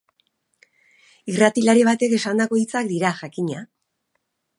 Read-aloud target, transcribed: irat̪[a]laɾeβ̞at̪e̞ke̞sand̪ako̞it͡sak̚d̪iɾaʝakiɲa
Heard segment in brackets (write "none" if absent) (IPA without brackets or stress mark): i